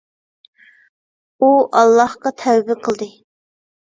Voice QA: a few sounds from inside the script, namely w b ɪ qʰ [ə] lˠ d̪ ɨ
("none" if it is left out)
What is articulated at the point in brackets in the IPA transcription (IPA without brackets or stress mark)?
ə